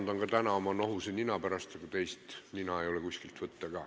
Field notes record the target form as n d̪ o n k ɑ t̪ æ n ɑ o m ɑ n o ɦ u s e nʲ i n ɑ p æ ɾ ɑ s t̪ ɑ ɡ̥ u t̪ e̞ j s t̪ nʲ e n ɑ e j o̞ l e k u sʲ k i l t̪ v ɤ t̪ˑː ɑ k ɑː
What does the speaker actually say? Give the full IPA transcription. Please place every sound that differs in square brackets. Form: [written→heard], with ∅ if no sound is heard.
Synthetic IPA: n d̪ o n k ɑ t̪ æ n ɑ o m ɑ n o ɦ u s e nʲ i n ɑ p æ ɾ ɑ s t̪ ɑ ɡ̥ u t̪ e̞ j s t̪ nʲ [e→i] n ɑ e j o̞ l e k u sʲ k i l t̪ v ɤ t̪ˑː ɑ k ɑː